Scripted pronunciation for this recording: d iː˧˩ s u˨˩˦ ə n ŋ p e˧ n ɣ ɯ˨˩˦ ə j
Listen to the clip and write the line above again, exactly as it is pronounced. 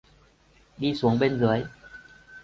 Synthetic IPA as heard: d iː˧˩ s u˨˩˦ ə ŋ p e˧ n z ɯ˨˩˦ ə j